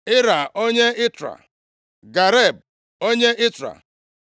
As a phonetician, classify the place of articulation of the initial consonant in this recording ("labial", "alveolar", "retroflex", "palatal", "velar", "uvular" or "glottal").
alveolar